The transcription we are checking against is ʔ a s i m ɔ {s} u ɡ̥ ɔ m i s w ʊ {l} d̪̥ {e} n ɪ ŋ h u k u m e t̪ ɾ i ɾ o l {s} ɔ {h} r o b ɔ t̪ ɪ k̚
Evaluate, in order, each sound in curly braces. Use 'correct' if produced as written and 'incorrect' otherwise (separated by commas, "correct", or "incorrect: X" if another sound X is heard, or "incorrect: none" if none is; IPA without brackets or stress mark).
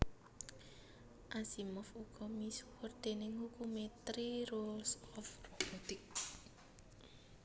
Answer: incorrect: f, incorrect: r, correct, correct, incorrect: f